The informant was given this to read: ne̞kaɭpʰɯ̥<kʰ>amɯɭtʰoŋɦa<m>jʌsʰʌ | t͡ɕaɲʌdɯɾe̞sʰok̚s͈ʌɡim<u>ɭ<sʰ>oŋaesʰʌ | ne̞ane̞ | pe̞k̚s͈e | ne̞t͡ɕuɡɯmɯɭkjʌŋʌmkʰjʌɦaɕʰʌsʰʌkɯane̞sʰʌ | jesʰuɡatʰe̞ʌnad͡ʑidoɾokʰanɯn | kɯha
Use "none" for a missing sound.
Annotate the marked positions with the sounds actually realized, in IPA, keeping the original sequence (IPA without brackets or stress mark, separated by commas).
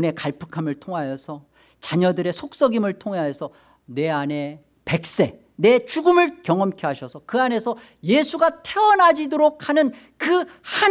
kʰ, none, ɯ, tʰ